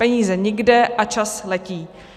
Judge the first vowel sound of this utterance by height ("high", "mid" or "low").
mid